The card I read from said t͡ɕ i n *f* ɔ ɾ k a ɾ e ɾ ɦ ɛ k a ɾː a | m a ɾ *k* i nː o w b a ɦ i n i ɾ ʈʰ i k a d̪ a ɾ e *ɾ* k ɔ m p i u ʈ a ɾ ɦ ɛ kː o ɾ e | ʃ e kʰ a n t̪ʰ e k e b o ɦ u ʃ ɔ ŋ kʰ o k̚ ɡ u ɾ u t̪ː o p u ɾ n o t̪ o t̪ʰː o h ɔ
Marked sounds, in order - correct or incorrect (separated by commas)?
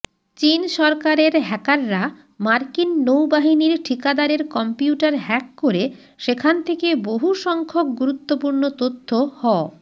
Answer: incorrect, correct, correct